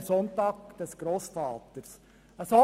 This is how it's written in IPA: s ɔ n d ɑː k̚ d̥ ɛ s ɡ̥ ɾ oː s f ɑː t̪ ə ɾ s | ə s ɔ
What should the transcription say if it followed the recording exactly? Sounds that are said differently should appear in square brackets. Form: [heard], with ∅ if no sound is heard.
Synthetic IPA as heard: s ɔ n [t] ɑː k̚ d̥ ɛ s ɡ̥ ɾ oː s f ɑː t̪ ə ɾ s | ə s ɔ